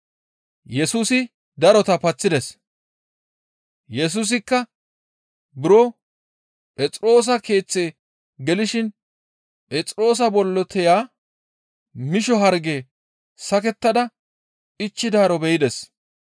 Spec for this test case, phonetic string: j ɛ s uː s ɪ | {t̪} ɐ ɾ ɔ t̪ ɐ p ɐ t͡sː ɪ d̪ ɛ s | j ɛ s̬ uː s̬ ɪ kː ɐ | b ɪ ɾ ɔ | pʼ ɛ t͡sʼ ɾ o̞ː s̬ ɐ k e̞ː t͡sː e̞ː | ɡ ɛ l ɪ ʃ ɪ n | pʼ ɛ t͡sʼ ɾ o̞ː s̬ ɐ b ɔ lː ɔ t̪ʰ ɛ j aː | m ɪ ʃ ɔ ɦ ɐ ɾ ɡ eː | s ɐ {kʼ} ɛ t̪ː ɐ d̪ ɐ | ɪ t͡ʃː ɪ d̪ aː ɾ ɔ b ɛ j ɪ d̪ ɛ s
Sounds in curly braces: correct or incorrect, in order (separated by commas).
incorrect, incorrect